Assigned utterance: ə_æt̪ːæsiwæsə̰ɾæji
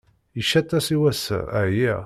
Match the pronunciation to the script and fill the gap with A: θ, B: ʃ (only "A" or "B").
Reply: B